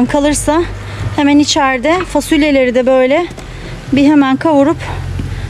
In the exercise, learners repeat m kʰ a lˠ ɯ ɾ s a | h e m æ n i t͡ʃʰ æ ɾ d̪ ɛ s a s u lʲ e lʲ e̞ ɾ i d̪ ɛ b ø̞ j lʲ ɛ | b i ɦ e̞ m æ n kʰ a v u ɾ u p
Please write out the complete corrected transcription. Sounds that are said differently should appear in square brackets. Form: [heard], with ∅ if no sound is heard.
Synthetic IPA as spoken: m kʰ a lˠ ɯ ɾ s a | h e m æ n i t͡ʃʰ æ ɾ d̪ ɛ [f] a s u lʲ e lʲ e̞ ɾ i d̪ ɛ b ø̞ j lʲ ɛ | b i ɦ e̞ m æ n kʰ a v u ɾ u p